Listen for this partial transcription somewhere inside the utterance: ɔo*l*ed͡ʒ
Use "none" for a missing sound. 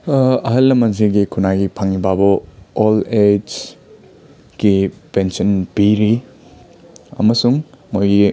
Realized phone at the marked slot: l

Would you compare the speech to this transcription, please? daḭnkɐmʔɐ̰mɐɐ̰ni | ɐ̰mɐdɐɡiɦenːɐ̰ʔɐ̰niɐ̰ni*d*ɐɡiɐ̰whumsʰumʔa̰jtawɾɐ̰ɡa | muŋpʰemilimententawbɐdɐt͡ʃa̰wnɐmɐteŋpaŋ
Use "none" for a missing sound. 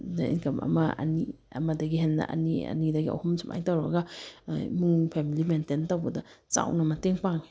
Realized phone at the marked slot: d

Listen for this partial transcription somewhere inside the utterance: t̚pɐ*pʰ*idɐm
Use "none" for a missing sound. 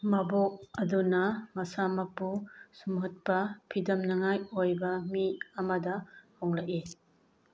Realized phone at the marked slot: pʰ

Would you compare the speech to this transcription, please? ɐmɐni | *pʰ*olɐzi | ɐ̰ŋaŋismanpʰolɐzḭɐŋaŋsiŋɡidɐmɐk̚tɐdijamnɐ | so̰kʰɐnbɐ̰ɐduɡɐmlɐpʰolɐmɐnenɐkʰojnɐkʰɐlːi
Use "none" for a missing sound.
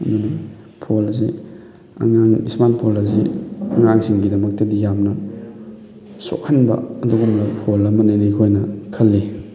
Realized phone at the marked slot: pʰ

